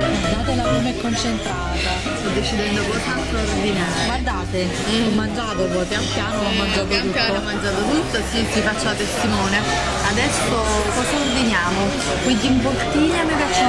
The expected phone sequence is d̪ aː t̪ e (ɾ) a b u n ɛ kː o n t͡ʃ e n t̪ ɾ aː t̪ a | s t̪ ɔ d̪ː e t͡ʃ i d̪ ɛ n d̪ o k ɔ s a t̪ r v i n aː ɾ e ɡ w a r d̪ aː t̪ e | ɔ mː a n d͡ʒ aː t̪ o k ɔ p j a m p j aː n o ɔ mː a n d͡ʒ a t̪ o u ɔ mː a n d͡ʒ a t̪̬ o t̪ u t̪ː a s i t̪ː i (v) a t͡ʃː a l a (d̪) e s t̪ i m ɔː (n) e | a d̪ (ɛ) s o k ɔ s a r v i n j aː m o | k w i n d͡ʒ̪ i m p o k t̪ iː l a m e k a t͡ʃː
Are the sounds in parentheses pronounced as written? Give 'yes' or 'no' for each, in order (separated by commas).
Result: no, no, no, yes, yes